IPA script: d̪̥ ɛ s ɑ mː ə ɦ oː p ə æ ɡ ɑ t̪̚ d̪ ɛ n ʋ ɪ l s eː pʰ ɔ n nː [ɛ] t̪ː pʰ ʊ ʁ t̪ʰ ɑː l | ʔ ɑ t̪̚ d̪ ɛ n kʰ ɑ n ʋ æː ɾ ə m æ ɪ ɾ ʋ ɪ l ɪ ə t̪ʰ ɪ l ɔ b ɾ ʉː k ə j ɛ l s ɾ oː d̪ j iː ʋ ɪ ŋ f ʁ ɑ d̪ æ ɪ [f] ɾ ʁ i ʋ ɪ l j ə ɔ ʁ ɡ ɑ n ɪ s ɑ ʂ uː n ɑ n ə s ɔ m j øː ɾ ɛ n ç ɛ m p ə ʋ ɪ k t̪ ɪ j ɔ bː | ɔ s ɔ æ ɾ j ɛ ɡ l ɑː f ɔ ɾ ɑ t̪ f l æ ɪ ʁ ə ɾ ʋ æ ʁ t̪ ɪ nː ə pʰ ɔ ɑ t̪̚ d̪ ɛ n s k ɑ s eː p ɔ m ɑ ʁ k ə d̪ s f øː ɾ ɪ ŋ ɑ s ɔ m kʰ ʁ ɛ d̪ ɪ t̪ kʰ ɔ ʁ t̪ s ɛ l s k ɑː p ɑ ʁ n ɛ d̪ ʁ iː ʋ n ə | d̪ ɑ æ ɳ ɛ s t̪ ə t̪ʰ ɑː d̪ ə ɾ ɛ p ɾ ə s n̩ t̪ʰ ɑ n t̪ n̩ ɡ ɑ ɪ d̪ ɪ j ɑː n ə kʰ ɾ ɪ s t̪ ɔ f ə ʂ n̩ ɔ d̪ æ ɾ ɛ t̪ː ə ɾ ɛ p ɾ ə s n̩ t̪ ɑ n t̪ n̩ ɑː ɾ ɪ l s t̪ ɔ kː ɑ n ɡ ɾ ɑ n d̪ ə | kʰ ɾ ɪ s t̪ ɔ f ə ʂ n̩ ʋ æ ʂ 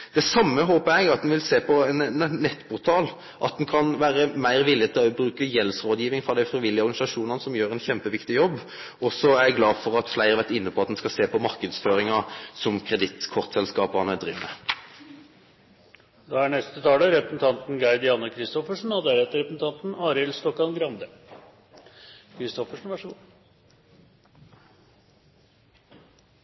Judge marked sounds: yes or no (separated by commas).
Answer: yes, yes